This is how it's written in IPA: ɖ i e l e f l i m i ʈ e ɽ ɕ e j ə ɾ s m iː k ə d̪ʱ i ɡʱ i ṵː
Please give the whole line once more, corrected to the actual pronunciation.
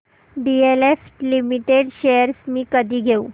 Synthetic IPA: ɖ i e l e f l i m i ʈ e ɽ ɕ e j ə ɾ s m iː k ə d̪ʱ iː ɡʱ e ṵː